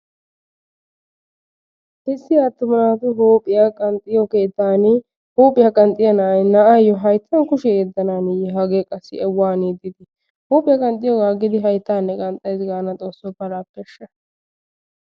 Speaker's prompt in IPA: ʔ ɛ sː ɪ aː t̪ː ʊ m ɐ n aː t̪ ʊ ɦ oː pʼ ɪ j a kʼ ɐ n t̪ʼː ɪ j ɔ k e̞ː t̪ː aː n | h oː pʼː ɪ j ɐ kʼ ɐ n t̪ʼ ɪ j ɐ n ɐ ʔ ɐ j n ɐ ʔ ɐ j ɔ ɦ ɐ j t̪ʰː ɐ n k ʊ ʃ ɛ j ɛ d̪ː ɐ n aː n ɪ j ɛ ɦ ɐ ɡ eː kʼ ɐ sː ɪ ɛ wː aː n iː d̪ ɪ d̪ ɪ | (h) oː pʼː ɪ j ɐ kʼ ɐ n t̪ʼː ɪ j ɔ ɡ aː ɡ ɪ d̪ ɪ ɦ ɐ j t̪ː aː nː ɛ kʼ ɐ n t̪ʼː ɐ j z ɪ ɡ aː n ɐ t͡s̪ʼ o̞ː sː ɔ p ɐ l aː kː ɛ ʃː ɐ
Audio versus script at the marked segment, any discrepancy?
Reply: no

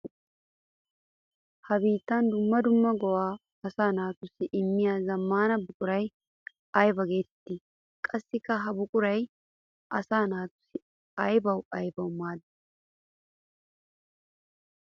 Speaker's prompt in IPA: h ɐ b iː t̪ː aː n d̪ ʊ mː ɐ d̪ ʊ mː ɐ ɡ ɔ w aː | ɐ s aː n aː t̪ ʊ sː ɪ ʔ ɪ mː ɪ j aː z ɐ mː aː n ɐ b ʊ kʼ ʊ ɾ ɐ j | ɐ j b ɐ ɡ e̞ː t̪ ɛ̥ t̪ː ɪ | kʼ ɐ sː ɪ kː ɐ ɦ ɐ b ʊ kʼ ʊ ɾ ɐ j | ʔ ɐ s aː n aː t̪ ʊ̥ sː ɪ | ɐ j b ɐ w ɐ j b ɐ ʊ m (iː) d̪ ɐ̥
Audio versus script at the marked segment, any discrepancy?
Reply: yes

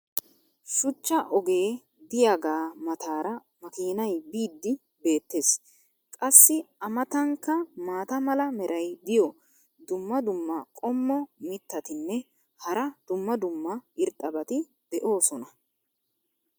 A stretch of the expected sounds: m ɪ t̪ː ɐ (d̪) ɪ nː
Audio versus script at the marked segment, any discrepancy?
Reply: yes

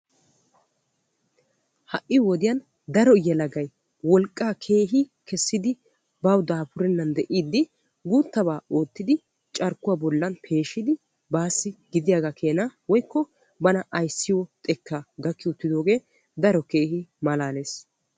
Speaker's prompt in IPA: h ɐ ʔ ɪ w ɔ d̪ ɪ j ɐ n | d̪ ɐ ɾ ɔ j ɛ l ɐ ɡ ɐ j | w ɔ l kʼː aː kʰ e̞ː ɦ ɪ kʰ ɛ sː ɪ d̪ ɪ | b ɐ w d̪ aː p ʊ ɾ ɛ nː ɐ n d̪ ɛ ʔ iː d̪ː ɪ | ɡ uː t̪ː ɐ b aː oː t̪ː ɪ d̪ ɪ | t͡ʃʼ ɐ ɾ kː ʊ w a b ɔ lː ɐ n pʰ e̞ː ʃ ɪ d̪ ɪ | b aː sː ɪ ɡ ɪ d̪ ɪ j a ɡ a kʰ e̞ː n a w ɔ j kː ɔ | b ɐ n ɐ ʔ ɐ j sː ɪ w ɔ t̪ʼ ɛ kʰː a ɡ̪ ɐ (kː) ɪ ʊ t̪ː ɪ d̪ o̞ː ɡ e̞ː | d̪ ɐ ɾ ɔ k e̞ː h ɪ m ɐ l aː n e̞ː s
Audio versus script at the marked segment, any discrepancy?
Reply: no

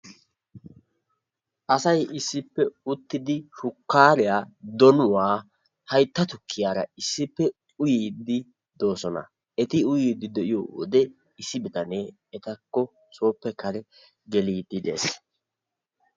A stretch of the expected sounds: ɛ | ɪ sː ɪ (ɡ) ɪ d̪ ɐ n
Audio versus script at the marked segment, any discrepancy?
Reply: yes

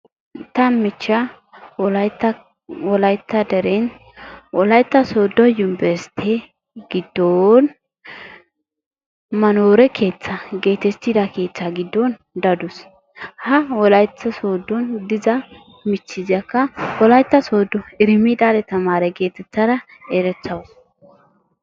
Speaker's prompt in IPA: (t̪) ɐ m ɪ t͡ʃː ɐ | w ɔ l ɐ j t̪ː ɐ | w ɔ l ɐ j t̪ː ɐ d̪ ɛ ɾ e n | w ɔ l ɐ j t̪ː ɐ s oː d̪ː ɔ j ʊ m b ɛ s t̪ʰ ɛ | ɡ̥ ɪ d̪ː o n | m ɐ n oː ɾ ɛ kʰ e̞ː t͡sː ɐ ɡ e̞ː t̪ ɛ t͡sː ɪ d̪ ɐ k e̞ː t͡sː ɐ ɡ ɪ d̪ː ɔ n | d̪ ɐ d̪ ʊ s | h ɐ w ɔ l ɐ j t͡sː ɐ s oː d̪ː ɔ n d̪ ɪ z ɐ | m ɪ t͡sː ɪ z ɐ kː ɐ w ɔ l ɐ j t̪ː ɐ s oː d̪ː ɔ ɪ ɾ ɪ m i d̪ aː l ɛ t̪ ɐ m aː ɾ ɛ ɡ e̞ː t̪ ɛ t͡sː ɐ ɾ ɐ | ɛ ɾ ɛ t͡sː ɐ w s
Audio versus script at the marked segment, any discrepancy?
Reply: no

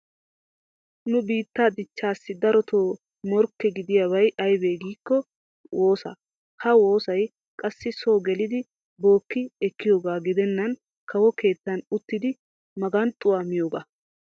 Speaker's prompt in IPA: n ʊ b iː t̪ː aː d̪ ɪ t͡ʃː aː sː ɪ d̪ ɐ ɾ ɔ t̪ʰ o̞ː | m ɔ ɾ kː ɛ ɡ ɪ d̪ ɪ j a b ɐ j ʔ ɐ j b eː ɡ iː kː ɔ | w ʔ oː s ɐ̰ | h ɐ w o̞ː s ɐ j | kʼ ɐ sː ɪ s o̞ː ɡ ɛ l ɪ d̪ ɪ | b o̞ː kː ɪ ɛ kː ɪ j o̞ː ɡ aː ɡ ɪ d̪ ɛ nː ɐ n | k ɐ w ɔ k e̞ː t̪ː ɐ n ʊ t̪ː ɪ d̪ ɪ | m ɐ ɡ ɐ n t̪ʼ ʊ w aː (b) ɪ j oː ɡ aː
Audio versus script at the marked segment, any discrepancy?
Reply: yes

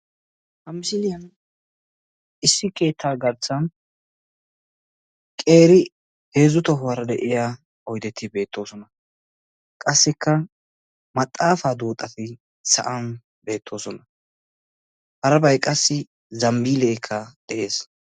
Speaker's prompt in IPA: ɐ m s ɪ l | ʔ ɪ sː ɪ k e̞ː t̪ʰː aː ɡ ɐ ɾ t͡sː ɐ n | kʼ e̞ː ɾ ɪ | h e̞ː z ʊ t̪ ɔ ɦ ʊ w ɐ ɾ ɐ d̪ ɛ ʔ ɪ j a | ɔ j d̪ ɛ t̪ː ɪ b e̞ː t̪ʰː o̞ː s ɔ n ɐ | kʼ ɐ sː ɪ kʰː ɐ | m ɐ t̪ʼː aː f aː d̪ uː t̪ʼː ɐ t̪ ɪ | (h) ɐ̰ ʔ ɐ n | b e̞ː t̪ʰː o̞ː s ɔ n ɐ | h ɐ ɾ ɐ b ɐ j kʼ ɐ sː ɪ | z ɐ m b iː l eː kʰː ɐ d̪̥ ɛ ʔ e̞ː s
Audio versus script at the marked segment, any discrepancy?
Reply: yes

